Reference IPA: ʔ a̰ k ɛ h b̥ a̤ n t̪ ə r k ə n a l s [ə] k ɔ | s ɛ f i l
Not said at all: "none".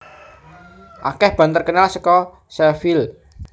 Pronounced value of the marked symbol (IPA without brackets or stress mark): ə